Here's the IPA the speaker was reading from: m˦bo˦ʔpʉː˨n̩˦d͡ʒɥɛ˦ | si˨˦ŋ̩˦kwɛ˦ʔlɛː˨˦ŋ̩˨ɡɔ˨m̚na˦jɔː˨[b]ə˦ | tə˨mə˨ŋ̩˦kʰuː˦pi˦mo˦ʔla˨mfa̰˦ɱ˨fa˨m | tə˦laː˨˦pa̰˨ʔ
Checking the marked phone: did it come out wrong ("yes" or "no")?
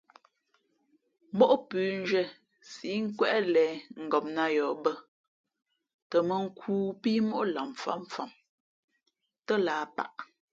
no